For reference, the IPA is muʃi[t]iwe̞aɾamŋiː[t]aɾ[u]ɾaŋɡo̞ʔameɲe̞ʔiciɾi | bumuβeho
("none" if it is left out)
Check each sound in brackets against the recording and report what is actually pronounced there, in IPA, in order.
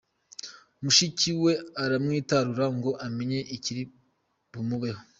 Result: c, t, u

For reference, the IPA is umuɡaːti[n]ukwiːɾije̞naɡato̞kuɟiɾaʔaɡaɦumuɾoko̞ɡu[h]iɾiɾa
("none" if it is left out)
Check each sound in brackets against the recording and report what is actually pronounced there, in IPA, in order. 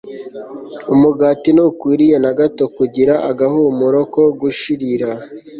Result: n, ʃ

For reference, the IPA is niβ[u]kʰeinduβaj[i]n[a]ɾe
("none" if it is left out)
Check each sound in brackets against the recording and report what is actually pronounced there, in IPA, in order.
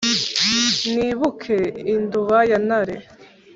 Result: u, a, a

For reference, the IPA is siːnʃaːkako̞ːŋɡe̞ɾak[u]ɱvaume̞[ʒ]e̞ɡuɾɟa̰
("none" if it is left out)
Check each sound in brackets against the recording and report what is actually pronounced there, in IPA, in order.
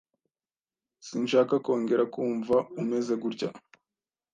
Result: uː, z

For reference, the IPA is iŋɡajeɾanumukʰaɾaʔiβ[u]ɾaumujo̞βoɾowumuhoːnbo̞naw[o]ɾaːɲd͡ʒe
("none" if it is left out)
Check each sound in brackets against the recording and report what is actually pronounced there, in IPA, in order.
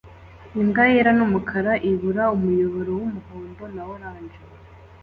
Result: u, o

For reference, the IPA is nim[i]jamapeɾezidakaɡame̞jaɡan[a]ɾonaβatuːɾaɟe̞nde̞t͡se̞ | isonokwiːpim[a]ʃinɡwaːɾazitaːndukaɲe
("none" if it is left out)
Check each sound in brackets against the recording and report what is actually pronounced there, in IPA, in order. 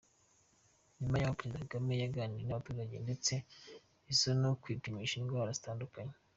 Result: a, i, i

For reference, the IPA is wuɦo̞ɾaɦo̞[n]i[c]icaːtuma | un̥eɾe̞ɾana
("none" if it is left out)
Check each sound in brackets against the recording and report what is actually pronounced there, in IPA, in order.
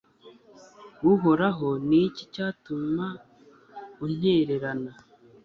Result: n, c

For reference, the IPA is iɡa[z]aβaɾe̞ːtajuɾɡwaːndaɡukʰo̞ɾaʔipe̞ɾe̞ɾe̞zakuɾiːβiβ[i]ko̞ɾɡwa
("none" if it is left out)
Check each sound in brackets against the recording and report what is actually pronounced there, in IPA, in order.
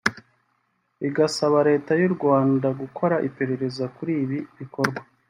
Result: s, i

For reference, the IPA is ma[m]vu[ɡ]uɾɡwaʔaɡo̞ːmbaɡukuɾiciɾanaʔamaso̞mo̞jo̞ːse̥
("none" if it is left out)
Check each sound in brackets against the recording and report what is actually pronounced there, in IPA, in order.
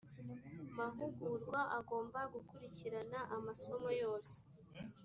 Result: none, ɡ

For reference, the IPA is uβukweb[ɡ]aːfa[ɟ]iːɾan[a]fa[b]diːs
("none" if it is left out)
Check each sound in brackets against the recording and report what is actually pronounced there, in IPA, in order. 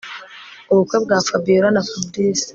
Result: ɡ, b, a, b

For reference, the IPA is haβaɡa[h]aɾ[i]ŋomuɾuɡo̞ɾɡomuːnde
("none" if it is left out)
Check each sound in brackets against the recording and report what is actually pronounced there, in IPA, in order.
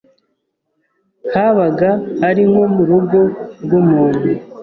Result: h, i

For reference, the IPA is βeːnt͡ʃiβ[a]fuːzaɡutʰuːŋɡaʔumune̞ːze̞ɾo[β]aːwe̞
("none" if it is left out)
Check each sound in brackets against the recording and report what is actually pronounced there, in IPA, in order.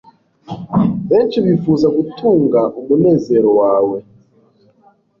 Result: i, w

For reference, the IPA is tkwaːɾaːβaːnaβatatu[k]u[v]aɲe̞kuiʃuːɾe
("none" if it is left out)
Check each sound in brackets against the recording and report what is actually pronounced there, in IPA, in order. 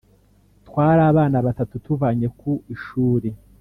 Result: t, v

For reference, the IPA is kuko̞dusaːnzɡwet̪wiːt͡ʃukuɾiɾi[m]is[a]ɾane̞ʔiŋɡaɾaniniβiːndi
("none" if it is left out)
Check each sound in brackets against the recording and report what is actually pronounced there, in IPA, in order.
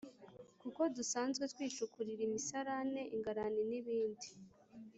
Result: m, a

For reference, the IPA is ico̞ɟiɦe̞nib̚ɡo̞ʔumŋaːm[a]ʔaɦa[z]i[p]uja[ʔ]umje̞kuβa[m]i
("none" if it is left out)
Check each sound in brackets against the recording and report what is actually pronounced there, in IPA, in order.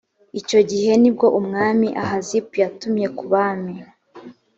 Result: i, z, p, t, m

